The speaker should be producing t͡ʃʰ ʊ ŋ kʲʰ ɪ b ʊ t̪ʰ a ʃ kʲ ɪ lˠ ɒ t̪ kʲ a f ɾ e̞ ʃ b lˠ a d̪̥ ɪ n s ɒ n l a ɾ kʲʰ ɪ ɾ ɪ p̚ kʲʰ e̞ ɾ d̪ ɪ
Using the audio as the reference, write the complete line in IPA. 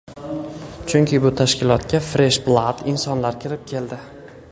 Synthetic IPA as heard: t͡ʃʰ ʊ ŋ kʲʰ ɪ b ʊ t̪ʰ a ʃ kʲ ɪ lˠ ɒ t̪ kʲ a f ɾ e̞ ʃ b lˠ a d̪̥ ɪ n s ɒ n l a ɾ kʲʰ ɪ ɾ ɪ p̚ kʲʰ e̞ l d̪ ɪ